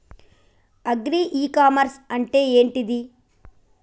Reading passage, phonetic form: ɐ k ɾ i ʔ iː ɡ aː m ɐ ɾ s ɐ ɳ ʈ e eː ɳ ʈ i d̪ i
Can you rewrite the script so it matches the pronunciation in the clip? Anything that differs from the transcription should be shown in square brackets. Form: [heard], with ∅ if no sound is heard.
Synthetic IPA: ɐ [ɡ] ɾ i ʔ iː [k] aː m ɐ ɾ s ɐ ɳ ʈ e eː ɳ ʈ i d̪ i